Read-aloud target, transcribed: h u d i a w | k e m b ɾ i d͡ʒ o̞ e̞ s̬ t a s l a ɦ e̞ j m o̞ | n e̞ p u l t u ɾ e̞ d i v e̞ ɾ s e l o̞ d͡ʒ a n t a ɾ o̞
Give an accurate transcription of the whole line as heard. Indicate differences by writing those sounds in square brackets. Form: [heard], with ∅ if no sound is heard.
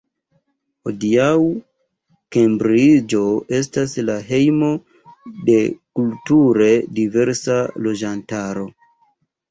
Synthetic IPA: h [o] d i a w | k e m b ɾ i d͡ʒ o̞ e̞ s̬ t a s l a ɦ e̞ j m o̞ | [d] e̞ [k] u l t u ɾ e̞ d i v e̞ ɾ s [a] l o̞ d͡ʒ a n t a ɾ o̞